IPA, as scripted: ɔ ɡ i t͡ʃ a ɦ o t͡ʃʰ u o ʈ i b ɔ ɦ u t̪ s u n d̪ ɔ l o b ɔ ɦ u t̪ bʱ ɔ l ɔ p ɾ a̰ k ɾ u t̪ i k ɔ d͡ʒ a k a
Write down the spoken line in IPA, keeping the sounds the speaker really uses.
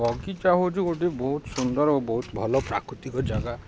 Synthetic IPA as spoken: ɔ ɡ i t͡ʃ a ɦ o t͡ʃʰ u o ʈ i b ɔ ɦ u t̪ s u n d̪ ɔ ɾ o b ɔ ɦ u t̪ bʱ ɔ l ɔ p ɾ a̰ k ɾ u t̪ i k ɔ d͡ʒ a ɡ a